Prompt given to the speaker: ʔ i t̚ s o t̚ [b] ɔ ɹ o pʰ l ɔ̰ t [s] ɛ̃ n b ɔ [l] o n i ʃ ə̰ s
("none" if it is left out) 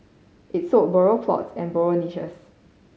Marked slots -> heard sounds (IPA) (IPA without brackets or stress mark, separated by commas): b, s, ɹ